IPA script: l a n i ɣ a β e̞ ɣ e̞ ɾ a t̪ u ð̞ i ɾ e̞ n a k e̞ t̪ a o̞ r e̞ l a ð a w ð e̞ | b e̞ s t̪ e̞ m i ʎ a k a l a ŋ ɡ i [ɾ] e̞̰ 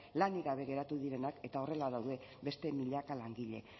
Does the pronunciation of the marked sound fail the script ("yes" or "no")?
yes